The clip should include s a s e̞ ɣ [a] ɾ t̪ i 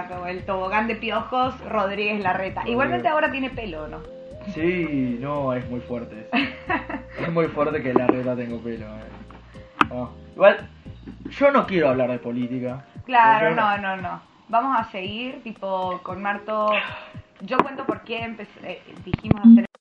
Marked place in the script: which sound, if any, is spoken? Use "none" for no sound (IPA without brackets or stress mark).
i